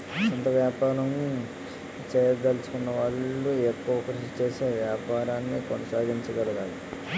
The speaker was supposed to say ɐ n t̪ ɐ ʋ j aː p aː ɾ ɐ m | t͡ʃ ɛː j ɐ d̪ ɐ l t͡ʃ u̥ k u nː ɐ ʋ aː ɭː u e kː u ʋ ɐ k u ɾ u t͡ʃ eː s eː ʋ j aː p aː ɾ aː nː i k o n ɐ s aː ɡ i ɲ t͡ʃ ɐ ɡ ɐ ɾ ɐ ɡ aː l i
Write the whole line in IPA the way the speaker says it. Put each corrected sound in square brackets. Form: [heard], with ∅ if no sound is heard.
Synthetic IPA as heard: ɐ n t̪ ɐ ʋ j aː p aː ɾ ɐ m | t͡ʃ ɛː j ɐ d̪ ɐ l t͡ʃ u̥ k u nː ɐ ʋ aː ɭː u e kː u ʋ ɐ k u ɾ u t͡ʃ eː s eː ʋ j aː p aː ɾ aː nː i k o n ɐ s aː ɡ i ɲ t͡ʃ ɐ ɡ ɐ [l] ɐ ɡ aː l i